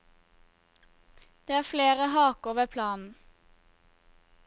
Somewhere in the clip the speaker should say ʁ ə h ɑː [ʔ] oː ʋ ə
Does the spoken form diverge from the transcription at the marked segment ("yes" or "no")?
yes